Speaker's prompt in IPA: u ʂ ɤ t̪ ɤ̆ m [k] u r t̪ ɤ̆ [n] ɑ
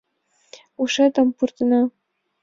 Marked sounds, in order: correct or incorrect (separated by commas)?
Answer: incorrect, correct